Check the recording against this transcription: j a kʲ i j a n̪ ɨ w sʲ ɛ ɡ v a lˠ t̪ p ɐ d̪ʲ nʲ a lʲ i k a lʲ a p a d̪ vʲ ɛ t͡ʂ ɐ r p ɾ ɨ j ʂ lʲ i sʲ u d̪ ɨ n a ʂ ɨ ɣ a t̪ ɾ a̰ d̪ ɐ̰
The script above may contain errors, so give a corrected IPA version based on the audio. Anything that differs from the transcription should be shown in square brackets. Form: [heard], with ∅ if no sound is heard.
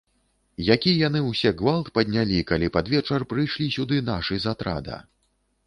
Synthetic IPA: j a kʲ i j a n̪ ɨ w sʲ ɛ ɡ v a lˠ t̪ p ɐ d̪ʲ nʲ a lʲ i k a lʲ [i] p a d̪ vʲ ɛ t͡ʂ ɐ r p ɾ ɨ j ʂ lʲ i sʲ u d̪ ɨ n a ʂ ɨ [z] a t̪ ɾ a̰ d̪ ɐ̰